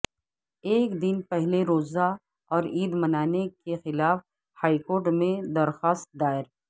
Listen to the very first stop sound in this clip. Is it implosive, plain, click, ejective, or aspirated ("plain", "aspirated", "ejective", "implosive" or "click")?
plain